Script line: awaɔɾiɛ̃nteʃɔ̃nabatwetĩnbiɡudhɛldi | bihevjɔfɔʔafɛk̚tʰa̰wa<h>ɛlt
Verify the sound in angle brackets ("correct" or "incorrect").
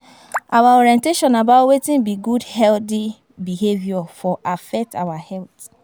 correct